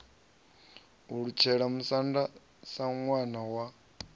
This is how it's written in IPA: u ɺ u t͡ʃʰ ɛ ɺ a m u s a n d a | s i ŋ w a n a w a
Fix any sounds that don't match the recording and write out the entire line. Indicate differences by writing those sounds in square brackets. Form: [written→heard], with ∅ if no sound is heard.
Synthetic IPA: u ɺ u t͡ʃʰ ɛ ɺ a m u s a n d a | s [i→a] ŋ w a n a w a